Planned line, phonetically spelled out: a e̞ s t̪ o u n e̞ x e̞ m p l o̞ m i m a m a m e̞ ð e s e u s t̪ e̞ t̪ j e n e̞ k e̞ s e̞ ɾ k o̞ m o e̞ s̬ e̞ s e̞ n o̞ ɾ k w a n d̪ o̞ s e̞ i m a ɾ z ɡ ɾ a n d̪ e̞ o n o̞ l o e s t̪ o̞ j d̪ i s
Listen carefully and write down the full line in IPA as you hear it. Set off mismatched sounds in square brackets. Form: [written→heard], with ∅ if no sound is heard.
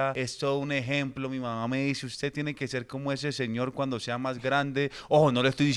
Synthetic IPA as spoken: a e̞ s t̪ o u n e̞ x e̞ m p l o̞ m i m a m a m e̞ ð [e→i] s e u s t̪ e̞ t̪ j e n e̞ k e̞ s e̞ ɾ k o̞ m o e̞ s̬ e̞ s e̞ [n→ɲ] o̞ ɾ k w a n d̪ o̞ s e̞ [i→a] m a [ɾ→∅] z ɡ ɾ a n d̪ e̞ o n o̞ l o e s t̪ o̞ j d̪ i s